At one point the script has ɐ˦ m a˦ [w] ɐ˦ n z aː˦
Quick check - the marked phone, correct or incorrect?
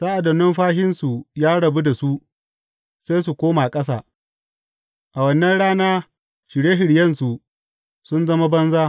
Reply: incorrect